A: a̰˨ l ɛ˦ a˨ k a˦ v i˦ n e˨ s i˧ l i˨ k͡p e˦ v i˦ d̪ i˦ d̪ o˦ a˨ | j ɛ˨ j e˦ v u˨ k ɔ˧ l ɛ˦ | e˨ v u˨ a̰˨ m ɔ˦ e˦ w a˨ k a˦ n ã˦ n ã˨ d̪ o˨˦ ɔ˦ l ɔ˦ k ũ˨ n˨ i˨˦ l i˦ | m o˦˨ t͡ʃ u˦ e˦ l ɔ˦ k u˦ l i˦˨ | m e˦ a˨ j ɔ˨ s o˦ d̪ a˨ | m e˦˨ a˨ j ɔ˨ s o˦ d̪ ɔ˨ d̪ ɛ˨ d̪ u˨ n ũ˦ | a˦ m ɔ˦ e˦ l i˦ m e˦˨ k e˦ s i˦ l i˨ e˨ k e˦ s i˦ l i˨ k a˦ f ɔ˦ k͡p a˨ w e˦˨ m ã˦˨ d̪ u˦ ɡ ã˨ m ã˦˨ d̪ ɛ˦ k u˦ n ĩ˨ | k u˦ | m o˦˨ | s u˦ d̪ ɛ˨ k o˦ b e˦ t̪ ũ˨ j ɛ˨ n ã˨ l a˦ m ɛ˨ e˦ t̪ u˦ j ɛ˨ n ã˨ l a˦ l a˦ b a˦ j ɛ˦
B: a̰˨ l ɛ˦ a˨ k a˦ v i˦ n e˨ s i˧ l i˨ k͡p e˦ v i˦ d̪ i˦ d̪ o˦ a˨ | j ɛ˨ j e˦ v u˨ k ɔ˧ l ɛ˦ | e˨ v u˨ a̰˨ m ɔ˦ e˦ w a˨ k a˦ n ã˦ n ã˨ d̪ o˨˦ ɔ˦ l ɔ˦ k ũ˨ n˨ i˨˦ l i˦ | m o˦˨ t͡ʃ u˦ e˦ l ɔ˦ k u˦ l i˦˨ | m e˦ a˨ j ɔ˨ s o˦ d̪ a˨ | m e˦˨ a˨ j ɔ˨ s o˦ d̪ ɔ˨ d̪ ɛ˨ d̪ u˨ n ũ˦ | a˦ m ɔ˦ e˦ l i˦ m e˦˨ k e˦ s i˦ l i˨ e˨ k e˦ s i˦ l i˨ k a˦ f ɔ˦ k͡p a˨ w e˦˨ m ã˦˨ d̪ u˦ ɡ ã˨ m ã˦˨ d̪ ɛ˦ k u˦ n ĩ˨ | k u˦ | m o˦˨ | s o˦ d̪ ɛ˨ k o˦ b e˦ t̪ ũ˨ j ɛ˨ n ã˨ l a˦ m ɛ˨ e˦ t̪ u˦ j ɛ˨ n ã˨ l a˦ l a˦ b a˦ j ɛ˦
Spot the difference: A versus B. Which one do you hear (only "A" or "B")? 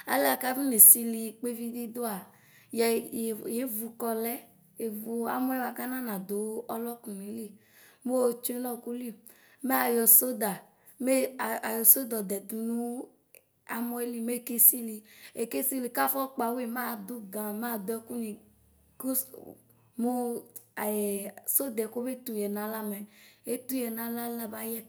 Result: B